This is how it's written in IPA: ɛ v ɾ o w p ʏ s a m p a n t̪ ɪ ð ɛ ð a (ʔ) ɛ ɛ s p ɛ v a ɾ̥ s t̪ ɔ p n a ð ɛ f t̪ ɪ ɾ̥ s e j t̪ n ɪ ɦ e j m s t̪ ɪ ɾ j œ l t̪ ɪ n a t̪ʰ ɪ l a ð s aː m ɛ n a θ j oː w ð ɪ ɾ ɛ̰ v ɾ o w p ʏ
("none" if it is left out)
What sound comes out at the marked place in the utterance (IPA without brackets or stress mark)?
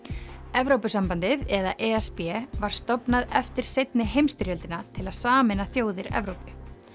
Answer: ʔ